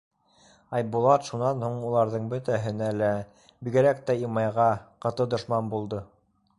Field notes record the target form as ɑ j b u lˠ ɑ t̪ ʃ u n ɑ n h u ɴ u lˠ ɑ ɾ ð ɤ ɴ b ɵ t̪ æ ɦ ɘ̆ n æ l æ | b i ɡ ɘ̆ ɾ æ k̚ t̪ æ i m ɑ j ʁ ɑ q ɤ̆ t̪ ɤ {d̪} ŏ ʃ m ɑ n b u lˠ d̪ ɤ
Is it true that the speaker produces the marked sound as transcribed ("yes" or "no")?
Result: yes